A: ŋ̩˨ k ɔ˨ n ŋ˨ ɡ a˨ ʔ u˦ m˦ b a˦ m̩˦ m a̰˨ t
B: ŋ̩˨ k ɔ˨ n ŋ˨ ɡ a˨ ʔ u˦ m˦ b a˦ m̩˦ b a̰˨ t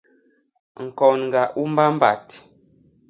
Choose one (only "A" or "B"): B